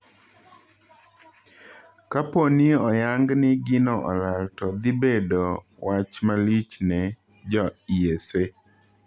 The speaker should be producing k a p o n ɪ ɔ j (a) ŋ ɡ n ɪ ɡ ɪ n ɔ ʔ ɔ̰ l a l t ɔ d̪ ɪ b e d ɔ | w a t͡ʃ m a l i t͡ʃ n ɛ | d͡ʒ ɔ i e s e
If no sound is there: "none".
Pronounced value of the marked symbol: a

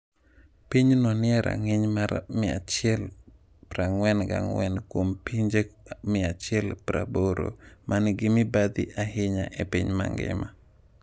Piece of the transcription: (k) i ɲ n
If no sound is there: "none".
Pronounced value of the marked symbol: p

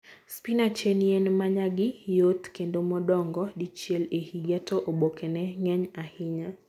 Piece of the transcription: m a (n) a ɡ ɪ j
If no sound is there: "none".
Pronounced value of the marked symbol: ɲ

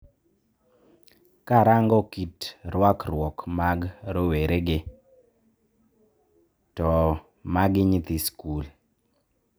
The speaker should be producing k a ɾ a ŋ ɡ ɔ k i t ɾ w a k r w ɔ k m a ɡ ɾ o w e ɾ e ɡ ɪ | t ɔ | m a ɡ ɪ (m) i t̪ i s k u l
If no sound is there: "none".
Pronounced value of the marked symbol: ɲ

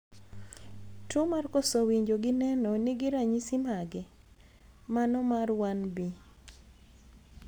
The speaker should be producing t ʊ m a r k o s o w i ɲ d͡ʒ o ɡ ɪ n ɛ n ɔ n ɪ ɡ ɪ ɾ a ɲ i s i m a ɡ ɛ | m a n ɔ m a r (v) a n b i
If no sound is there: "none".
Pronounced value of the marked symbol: w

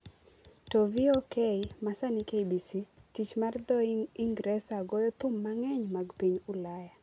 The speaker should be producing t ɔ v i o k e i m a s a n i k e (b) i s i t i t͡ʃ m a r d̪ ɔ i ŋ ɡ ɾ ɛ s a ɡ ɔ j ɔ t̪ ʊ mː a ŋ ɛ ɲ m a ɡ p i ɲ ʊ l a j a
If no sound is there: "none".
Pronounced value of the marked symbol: b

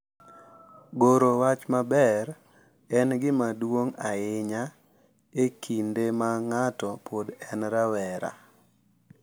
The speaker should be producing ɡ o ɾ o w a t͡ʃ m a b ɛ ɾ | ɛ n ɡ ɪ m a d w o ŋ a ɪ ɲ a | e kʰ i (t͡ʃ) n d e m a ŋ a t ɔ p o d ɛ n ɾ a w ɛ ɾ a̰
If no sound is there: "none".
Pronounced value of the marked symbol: none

